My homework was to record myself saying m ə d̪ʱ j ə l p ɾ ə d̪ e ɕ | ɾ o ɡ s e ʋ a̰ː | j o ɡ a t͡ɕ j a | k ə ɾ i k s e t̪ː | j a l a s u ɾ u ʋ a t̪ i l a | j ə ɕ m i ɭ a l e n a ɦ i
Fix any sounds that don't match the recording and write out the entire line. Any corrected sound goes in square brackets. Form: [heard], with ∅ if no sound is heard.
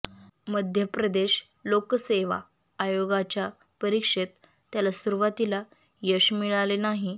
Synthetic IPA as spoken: m ə d̪ʱ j ə [∅] p ɾ ə d̪ e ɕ | [l] o [k] s e ʋ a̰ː | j o ɡ a t͡ɕ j a | [p] ə ɾ i k [ʂ] e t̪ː | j a l a s u ɾ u ʋ a t̪ i l a | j ə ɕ m i ɭ a l e n a ɦ i